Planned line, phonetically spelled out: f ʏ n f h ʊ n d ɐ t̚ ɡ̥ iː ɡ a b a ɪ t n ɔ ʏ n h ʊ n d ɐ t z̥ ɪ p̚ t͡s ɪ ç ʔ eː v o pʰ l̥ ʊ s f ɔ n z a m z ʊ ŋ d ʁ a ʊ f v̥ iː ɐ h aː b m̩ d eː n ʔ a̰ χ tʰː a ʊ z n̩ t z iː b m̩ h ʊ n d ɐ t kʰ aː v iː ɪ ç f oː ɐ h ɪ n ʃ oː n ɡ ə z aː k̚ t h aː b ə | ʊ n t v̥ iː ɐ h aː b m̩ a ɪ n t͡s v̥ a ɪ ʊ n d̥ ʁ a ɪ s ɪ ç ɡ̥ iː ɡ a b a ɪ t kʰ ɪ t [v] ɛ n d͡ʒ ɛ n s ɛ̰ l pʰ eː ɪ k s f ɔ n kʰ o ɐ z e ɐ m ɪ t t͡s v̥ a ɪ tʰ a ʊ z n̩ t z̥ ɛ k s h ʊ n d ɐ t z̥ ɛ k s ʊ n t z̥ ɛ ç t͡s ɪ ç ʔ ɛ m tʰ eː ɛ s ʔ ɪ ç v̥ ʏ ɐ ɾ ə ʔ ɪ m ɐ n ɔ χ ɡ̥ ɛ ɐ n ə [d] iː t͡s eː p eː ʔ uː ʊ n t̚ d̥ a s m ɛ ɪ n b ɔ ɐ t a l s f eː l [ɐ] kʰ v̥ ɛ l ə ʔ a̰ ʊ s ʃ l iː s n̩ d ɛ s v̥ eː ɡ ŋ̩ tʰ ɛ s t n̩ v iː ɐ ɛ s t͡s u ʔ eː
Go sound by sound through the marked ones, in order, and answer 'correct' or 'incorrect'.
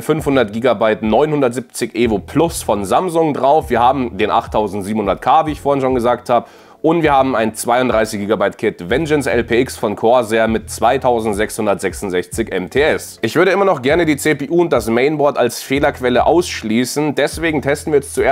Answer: correct, correct, correct

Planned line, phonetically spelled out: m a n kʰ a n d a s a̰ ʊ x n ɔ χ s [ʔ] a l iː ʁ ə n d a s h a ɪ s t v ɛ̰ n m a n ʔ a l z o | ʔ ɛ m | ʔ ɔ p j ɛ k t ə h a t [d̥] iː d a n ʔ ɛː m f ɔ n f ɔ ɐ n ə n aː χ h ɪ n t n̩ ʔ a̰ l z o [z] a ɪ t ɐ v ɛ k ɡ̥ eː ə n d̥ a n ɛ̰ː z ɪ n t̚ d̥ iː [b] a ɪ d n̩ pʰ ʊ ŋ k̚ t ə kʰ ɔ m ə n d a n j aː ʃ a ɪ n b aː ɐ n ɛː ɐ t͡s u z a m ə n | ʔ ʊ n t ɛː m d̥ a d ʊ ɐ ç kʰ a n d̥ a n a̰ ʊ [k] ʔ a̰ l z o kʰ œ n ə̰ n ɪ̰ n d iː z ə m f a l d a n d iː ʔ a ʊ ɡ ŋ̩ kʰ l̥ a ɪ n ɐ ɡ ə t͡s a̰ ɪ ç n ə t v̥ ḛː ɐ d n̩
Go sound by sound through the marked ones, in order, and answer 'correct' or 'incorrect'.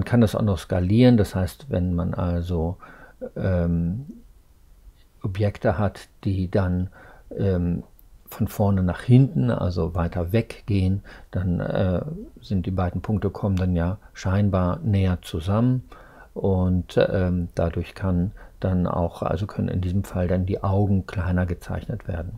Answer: incorrect, correct, incorrect, correct, incorrect

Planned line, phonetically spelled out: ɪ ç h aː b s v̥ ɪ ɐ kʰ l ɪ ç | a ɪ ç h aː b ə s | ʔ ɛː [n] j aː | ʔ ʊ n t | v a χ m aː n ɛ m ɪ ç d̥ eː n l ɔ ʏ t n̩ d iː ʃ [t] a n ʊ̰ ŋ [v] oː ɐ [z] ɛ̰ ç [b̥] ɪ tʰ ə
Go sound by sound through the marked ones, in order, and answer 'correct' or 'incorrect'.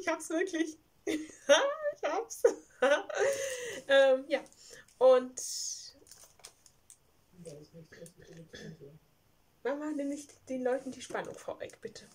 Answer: incorrect, incorrect, incorrect, incorrect, correct

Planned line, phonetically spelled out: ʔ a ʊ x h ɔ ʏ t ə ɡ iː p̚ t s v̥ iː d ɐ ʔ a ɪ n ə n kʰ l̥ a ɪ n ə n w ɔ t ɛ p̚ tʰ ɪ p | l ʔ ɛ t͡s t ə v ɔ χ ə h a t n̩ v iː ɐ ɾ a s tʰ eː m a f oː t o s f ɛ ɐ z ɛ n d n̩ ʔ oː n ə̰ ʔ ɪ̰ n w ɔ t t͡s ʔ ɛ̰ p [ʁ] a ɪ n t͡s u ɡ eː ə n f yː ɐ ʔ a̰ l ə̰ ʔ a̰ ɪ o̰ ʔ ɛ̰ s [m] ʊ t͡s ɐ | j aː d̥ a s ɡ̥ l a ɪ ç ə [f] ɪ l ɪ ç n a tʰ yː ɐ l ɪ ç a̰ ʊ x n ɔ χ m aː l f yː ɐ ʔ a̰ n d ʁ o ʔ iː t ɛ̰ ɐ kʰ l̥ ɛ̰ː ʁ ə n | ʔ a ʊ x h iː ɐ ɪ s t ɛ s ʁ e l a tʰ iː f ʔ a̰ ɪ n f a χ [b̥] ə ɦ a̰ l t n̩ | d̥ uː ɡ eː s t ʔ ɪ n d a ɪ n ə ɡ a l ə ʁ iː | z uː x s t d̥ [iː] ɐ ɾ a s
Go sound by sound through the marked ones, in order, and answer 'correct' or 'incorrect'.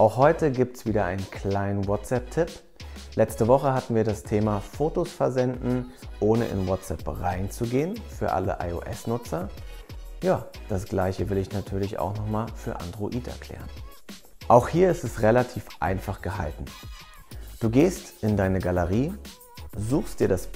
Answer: correct, incorrect, incorrect, incorrect, correct

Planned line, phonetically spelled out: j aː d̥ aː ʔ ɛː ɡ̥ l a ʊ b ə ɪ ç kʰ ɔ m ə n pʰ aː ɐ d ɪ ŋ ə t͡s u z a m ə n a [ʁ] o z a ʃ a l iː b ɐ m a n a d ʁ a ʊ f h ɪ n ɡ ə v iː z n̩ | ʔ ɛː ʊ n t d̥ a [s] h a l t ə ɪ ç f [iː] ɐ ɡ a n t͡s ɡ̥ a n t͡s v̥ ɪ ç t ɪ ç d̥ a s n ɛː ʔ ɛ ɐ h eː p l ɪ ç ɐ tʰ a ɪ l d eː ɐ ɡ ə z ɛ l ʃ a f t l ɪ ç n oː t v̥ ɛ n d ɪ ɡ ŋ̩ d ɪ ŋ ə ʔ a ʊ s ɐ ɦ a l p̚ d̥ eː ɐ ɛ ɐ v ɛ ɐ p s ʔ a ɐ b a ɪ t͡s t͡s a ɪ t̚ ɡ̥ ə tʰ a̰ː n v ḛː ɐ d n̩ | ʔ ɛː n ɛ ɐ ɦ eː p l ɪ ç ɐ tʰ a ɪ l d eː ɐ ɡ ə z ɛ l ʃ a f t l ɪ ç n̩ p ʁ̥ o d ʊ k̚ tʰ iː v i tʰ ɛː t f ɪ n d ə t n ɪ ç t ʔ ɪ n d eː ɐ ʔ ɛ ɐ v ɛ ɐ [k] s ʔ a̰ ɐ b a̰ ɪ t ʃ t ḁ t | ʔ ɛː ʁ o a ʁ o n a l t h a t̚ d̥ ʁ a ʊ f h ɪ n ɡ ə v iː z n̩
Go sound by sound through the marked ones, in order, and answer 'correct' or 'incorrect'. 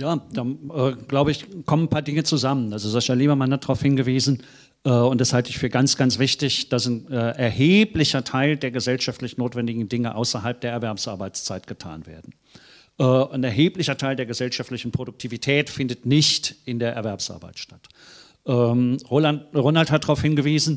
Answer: incorrect, correct, incorrect, incorrect

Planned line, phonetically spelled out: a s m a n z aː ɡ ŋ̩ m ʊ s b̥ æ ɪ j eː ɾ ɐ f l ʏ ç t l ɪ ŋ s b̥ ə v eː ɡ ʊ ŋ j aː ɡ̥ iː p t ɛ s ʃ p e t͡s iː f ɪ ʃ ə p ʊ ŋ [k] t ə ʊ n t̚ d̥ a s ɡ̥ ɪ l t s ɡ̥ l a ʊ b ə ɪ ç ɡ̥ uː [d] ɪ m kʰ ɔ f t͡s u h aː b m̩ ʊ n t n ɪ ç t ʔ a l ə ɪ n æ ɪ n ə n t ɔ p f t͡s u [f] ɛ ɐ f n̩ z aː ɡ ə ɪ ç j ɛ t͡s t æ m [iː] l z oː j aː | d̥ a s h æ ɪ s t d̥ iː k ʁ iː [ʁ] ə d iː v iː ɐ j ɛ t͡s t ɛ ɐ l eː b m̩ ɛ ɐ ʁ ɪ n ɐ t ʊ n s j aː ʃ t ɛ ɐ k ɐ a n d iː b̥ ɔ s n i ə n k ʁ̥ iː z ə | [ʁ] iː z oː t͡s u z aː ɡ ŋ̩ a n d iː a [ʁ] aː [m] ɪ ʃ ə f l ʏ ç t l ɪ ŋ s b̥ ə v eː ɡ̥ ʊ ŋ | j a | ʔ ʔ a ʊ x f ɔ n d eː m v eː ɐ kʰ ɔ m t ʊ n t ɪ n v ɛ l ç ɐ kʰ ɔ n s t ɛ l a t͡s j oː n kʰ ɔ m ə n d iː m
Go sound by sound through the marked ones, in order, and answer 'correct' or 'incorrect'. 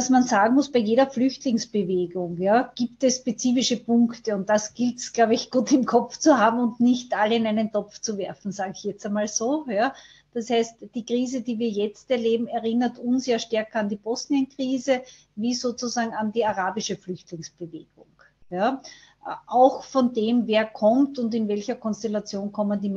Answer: correct, incorrect, incorrect, incorrect, incorrect, incorrect, correct, incorrect

